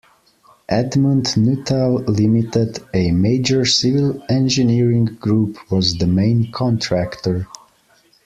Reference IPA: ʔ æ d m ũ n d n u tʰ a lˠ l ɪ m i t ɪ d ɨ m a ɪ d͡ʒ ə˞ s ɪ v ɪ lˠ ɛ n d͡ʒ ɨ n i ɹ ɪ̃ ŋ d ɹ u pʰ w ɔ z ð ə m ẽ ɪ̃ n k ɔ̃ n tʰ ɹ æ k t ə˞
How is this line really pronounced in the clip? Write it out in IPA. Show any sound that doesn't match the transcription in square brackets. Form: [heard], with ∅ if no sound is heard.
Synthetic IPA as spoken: ʔ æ d m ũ n d n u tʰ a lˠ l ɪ m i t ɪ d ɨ m [e] ɪ d͡ʒ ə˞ s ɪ v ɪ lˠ [ɛ̃] n d͡ʒ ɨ n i ɹ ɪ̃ ŋ [ɡ] ɹ u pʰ w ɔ z ð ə m ẽ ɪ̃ n [kʰ] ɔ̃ n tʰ ɹ æ k t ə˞